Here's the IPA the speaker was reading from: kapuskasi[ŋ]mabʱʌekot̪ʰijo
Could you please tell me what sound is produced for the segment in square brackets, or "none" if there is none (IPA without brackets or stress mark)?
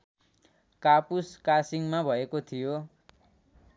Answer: ŋ